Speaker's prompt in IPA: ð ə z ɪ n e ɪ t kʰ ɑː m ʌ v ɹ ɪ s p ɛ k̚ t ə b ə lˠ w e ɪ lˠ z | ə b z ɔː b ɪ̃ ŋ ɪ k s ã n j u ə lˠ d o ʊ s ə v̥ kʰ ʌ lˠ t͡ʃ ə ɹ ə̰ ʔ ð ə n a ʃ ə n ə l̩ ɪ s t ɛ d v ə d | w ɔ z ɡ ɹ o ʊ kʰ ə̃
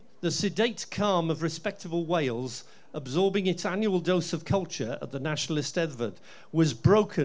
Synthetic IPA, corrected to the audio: ð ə s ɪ d e ɪ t kʰ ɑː m ə v ɹ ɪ s p ɛ k̚ t ə b ə lˠ w e ɪ lˠ z | ə b z ɔː b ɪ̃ ŋ ɪ t s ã n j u ə lˠ d o ʊ s ə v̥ kʰ ʌ lˠ t͡ʃ ə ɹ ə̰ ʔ ð ə n a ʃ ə n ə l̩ ɪ s t ɛ d v ə d | w ɒ z b ɹ o ʊ kʰ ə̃